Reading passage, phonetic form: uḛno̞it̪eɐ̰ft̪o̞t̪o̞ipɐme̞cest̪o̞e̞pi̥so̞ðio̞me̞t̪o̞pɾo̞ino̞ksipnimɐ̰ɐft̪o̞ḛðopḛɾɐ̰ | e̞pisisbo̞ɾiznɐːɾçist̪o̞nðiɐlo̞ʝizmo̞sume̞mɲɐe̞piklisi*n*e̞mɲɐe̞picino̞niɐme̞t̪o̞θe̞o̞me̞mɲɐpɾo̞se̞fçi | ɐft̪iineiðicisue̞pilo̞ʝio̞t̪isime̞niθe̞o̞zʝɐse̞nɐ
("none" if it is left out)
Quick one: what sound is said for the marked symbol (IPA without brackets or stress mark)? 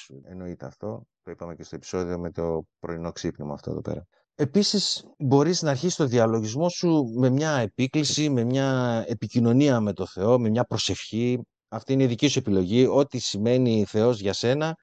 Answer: m